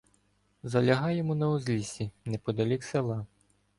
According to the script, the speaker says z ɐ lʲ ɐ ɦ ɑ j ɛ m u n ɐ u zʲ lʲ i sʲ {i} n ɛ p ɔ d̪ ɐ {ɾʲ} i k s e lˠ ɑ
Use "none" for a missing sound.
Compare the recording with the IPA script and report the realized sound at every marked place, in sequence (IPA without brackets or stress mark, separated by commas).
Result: i, lʲ